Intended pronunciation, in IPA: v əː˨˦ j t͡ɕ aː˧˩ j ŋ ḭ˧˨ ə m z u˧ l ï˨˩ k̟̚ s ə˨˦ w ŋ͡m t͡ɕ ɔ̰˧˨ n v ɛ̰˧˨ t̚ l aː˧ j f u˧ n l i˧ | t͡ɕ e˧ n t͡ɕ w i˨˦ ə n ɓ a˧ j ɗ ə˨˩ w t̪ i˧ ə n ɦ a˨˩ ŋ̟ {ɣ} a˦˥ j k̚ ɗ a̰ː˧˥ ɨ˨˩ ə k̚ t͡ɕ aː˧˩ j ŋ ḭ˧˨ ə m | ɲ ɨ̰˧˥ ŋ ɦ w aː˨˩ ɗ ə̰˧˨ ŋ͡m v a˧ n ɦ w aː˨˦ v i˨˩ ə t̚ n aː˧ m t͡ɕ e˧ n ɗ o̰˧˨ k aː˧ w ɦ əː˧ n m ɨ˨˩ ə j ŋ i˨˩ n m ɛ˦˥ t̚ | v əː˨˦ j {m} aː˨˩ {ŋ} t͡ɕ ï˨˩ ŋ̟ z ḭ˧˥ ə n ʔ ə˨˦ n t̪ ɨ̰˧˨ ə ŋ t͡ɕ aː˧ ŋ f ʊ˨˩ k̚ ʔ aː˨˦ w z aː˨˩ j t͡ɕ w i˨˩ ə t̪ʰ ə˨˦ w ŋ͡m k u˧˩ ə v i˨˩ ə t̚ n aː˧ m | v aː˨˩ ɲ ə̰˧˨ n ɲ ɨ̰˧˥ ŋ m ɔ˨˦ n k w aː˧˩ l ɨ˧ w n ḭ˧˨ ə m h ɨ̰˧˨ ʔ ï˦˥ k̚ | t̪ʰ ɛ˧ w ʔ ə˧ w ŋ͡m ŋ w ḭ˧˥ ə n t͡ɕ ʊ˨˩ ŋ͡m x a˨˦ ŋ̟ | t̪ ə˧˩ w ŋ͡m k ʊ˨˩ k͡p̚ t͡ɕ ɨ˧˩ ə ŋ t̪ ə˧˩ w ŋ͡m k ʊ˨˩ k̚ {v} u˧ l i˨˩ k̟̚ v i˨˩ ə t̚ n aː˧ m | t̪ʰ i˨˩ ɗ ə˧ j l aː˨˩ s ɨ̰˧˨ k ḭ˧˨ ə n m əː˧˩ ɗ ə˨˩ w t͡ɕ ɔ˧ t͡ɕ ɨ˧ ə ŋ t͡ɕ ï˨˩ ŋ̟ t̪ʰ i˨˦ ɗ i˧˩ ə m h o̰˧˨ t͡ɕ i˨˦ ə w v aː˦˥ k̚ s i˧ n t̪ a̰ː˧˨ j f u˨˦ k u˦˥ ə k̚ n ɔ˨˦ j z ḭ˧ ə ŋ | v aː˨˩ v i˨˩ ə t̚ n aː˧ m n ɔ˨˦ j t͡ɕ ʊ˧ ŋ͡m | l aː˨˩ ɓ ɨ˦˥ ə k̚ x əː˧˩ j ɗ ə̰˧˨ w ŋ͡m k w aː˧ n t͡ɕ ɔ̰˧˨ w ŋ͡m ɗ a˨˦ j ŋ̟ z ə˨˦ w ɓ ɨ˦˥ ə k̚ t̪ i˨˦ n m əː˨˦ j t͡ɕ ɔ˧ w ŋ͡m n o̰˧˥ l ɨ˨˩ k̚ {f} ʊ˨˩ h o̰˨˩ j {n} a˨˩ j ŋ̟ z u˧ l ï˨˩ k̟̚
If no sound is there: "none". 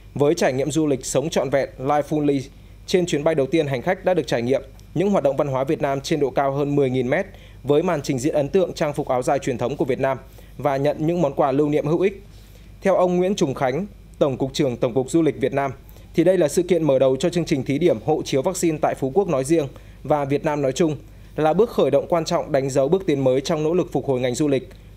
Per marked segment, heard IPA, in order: x, m, n, z, f, ŋ

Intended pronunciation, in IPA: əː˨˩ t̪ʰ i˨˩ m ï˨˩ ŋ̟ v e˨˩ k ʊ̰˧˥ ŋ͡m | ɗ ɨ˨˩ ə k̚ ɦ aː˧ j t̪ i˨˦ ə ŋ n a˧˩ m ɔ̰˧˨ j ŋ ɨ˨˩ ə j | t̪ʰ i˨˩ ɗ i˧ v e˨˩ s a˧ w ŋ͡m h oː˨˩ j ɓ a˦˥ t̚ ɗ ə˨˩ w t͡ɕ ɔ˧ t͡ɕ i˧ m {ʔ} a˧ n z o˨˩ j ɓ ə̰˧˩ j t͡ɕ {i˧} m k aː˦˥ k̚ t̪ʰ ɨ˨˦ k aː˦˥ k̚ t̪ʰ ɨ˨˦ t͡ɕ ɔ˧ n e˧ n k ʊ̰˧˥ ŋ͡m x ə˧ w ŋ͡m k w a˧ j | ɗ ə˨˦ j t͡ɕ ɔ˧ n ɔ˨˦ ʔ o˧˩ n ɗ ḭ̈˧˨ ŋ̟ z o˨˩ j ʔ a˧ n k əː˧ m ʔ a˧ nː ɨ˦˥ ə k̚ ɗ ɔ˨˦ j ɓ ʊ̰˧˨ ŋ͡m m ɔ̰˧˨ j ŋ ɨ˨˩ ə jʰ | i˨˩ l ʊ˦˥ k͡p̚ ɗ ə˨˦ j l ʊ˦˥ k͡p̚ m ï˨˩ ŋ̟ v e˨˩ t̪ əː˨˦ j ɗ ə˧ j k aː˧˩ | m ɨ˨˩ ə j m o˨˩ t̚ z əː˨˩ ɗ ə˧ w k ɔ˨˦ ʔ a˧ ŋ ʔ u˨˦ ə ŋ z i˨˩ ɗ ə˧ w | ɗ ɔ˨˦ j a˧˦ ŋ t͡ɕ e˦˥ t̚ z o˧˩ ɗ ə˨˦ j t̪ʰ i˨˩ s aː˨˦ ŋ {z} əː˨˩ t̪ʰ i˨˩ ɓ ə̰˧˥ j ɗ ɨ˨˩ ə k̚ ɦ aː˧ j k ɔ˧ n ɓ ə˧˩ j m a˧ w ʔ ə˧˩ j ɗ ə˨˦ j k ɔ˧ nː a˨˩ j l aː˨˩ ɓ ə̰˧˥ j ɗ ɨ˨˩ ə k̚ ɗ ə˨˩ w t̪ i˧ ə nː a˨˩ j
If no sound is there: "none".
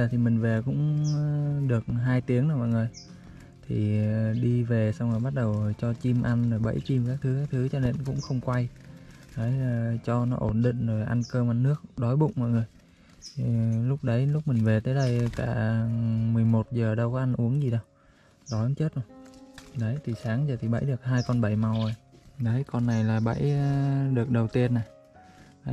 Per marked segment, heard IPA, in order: ʔ, i˧, z

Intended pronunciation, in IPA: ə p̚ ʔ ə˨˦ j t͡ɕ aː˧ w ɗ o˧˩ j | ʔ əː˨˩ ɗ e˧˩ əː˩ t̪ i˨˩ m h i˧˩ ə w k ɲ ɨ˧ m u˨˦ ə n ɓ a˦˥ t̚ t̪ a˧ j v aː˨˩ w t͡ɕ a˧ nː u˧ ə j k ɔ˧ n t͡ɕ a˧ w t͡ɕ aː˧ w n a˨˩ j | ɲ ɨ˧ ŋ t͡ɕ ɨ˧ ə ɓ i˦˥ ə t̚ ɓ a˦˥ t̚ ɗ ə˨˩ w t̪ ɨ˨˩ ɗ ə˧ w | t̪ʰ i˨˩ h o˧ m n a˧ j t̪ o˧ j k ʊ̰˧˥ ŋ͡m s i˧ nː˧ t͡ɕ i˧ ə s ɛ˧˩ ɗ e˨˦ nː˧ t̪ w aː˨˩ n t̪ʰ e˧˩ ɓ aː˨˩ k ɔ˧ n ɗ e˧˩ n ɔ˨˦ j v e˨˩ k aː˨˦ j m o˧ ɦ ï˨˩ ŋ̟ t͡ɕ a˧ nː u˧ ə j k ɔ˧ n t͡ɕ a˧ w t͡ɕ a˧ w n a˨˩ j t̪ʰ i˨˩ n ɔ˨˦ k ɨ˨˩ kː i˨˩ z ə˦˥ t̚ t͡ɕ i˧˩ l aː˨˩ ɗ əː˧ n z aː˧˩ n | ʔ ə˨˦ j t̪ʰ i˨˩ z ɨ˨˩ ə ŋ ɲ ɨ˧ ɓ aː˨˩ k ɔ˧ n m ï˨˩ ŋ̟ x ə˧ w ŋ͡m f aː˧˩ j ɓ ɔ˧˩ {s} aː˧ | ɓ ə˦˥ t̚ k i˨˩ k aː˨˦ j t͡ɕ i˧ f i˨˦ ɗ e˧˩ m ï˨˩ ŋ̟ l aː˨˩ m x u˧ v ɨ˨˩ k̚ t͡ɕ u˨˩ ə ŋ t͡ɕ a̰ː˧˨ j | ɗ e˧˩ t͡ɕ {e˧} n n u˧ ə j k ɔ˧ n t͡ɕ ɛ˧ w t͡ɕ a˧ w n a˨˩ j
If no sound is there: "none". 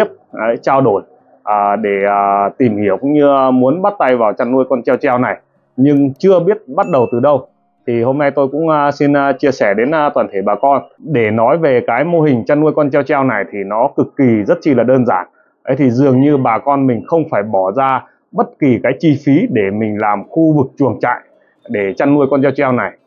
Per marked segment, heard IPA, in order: z, a˧

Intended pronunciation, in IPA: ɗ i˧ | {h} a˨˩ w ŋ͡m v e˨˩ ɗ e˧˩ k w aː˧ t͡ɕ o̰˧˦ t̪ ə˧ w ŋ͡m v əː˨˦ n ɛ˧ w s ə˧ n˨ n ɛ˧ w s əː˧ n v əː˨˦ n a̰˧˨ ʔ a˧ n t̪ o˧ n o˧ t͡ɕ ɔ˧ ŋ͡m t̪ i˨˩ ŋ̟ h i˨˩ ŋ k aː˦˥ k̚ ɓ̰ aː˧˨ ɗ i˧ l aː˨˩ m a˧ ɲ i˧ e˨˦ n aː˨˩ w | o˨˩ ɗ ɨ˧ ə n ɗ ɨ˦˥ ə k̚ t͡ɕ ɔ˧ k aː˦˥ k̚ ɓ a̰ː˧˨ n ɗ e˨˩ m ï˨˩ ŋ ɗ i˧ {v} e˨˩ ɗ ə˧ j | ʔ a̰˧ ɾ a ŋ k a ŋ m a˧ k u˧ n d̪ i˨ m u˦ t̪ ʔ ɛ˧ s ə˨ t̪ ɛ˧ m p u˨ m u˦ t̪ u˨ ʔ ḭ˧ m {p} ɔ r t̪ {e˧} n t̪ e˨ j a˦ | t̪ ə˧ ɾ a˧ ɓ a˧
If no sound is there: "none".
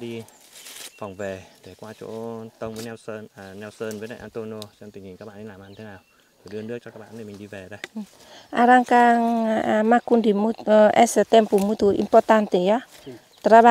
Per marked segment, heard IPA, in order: f, v, p, a˧

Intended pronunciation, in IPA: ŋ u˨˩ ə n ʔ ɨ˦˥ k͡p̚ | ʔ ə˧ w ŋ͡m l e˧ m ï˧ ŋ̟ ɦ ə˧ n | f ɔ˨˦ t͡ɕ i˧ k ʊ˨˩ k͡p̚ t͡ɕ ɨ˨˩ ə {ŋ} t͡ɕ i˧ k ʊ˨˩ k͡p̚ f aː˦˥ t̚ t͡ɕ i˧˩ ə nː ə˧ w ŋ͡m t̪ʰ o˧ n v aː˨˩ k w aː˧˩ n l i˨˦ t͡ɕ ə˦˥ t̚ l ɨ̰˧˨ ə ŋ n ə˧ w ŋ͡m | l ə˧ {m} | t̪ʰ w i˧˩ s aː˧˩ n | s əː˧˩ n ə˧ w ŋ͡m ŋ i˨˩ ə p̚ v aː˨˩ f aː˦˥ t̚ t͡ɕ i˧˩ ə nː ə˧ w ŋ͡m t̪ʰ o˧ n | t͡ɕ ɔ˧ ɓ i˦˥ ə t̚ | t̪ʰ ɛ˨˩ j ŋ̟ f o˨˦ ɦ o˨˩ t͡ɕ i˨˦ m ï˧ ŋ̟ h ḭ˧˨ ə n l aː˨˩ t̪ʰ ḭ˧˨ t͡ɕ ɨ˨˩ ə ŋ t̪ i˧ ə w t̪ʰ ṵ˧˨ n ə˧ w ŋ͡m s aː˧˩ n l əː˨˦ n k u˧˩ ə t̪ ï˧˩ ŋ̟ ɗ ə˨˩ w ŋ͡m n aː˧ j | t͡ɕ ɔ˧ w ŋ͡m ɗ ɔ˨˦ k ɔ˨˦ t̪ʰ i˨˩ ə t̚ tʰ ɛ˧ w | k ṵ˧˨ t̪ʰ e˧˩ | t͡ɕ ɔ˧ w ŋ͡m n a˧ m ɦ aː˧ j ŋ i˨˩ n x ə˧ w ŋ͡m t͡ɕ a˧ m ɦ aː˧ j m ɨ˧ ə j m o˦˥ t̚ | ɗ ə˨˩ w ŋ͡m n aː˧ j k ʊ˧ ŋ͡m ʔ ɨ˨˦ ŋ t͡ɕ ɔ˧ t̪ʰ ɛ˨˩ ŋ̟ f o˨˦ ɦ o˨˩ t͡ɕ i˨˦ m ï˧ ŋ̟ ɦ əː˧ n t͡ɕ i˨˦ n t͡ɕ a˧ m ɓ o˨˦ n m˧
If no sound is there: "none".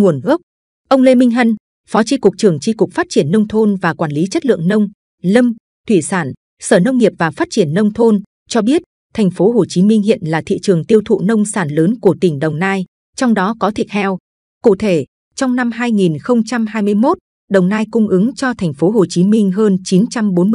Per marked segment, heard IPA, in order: ŋ, m

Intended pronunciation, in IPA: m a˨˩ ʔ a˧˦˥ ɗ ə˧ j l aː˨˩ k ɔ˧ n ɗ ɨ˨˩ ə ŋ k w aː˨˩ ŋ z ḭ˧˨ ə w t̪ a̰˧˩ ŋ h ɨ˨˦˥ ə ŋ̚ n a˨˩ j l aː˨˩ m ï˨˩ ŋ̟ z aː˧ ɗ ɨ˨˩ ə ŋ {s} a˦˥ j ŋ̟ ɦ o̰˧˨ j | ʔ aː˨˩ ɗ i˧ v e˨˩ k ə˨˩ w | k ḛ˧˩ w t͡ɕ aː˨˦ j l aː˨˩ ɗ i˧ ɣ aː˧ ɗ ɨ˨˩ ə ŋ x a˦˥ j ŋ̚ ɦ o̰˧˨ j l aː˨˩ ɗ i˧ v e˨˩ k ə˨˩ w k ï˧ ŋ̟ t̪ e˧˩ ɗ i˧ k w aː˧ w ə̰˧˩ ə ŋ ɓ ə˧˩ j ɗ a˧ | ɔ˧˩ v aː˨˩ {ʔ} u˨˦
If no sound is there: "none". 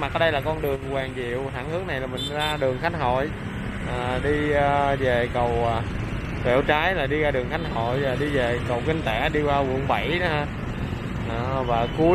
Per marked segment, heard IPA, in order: x, k

